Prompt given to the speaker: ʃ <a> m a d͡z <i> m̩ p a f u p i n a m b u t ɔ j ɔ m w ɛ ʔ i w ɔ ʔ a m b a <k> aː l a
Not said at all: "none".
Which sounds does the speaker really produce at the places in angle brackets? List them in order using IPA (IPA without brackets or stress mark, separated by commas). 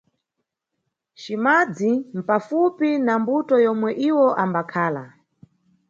i, i, kʰ